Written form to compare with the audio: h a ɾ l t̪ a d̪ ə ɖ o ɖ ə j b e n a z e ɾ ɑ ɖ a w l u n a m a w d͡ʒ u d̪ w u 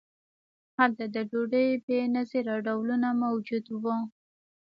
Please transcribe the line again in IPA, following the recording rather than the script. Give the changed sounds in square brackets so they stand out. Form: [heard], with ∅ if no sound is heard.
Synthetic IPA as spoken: h a [∅] l t̪ a d̪ ə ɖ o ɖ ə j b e n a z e ɾ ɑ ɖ a w l u n a m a w d͡ʒ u d̪ w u